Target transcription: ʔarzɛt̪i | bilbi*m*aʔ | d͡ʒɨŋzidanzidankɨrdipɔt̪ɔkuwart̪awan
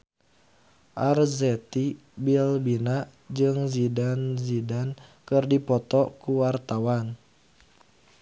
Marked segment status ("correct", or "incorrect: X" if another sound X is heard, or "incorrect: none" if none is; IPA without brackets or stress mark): incorrect: n